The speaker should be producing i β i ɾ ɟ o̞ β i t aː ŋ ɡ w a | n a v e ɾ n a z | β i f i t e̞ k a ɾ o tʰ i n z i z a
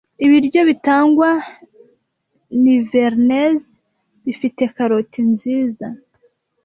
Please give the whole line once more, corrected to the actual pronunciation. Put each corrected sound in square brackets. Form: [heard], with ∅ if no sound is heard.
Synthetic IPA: i β i ɾ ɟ o̞ β i t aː ŋ ɡ w a | n [i] v e ɾ n [e] z | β i f i t e̞ k a ɾ o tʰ i n z [iː] z a

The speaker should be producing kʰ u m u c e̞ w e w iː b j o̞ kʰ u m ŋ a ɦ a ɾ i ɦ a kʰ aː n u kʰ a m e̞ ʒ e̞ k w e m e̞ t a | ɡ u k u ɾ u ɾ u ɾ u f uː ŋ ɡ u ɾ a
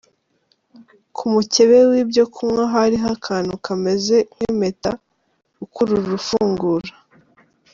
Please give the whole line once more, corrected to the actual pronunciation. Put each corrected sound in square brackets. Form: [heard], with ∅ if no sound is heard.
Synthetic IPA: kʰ u m u c e̞ [β] e w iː b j o̞ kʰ u m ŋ a ɦ a ɾ i ɦ a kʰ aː n u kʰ a m e̞ [z] e̞ k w e m e̞ t a | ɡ u k u ɾ u ɾ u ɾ u f uː ŋ ɡ u ɾ a

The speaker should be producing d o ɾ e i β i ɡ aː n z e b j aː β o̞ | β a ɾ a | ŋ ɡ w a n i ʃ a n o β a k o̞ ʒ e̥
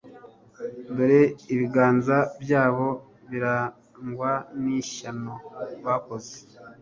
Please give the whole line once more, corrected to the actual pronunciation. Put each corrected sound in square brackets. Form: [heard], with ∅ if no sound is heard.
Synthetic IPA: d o ɾ e i β i ɡ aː n z [a] b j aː β o̞ | β [i] ɾ a | ŋ ɡ w a n i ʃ a n o β a k o̞ [z] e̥

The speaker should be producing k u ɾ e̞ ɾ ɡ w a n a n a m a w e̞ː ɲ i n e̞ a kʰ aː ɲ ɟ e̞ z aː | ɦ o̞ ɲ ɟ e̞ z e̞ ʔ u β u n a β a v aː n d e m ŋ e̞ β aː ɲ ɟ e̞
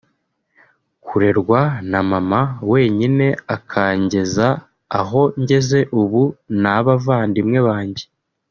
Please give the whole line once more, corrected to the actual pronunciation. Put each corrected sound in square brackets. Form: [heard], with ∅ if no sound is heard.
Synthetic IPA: k u ɾ e̞ ɾ ɡ w a n a [m] a m a w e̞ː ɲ i n e̞ a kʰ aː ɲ ɟ e̞ z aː | ɦ o̞ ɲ ɟ e̞ z e̞ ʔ u β u n a β a v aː n d [i] m ŋ e̞ β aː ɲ ɟ e̞

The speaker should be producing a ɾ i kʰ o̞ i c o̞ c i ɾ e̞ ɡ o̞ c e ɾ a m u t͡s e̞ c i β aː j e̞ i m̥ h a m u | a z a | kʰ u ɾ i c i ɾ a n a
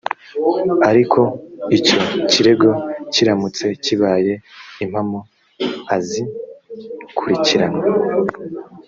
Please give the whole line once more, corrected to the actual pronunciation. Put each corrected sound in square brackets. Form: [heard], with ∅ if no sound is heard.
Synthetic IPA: a ɾ i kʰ o̞ i c o̞ c i ɾ e̞ ɡ o̞ c [i] ɾ a m u t͡s e̞ c i β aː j e̞ i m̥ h a m [o] | a z [i] | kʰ u ɾ i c i ɾ a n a

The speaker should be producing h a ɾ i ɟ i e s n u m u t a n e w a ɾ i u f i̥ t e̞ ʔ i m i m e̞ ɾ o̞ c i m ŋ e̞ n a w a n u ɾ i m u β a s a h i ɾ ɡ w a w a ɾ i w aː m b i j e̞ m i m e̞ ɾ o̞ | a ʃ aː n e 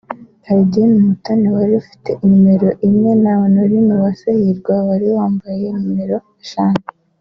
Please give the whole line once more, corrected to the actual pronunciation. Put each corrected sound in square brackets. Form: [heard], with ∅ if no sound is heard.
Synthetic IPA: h a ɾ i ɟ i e [∅] n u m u t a n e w a ɾ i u f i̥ t e̞ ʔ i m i m e̞ ɾ o̞ [ʔ] i m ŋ e̞ n a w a n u ɾ i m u β a s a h i ɾ ɡ w a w a ɾ i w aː m b [a] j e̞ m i m e̞ ɾ o̞ | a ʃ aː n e

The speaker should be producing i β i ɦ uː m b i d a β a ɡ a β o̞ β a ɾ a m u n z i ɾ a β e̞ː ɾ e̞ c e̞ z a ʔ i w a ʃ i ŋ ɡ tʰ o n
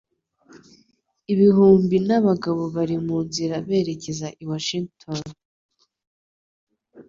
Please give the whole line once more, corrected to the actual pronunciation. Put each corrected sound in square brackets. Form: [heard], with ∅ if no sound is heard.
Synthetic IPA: i β i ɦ uː m b i [n] a β a ɡ a β o̞ β a ɾ [i] m u n z i ɾ a β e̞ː ɾ e̞ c e̞ z a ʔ i w a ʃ i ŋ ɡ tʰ o n

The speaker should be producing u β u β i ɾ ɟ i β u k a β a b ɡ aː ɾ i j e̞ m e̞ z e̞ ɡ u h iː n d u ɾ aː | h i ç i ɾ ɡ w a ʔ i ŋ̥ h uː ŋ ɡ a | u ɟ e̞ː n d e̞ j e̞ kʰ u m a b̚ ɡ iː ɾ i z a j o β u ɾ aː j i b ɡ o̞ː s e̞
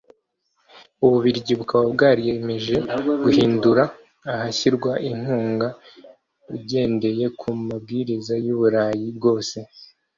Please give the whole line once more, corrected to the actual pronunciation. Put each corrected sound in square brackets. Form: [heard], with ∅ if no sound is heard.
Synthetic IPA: u β u β i ɾ ɟ i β u k a β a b ɡ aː ɾ i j e̞ m e̞ [ʒ] e̞ ɡ u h iː n d u ɾ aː | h [a] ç i ɾ ɡ w a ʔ i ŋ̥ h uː ŋ ɡ a | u ɟ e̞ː n d e̞ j e̞ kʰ u m a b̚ ɡ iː ɾ i z a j [u] β u ɾ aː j i b ɡ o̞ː s e̞

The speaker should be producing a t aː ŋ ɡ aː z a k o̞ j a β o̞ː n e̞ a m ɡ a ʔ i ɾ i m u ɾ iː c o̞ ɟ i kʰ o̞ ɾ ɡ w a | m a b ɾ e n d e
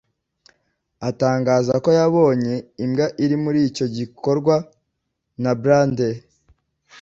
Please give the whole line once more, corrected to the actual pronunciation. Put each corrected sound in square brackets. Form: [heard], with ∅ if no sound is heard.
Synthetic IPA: a t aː ŋ ɡ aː z a k o̞ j a β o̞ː [ɲ] e̞ [i] m ɡ a ʔ i ɾ i m u ɾ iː c o̞ ɟ i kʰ o̞ ɾ ɡ w a | [n] a b ɾ [a] n d e

